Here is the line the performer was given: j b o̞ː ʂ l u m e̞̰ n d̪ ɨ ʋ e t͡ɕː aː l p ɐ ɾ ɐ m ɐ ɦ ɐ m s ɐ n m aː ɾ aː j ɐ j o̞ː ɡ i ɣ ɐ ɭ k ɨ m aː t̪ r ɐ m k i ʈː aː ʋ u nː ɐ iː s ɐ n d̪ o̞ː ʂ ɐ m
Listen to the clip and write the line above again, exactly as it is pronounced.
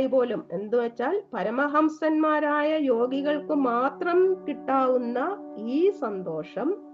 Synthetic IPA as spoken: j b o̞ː l u m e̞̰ n d̪ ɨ ʋ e t͡ɕː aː l p ɐ ɾ ɐ m ɐ ɦ ɐ m s ɐ n m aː ɾ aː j ɐ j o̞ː ɡ i ɣ ɐ ɭ k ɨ m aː t̪ r ɐ m k i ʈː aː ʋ u nː ɐ iː s ɐ n d̪ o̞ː ʂ ɐ m